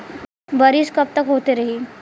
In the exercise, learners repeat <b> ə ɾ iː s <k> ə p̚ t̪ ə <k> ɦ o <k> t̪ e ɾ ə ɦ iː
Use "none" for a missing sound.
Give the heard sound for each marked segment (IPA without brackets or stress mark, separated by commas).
b, k, k, none